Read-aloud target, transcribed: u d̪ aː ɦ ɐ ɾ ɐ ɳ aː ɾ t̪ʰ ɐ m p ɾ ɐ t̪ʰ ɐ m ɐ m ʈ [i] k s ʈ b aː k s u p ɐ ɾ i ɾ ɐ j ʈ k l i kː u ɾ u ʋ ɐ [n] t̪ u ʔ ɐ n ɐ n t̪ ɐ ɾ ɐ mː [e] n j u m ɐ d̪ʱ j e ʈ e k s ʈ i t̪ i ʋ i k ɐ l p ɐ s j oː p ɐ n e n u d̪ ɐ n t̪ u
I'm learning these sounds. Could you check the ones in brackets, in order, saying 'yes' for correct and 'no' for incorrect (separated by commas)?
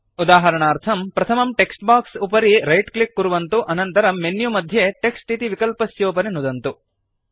no, yes, yes